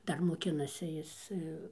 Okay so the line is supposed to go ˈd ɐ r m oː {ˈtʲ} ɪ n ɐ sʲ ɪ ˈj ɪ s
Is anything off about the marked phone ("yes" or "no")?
yes